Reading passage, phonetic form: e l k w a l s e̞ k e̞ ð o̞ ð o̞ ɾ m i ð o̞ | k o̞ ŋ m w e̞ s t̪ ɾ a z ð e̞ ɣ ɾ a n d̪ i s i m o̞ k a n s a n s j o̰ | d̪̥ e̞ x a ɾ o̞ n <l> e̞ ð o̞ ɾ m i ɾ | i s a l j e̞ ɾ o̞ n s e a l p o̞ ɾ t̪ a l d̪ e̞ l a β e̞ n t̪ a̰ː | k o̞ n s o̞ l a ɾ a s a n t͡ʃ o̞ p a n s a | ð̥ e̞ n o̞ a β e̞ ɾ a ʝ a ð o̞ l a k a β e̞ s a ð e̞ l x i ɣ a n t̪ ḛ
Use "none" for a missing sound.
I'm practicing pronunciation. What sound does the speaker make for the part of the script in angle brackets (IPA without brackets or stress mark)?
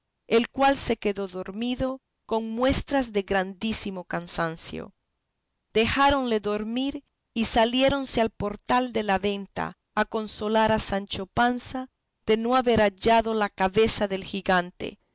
l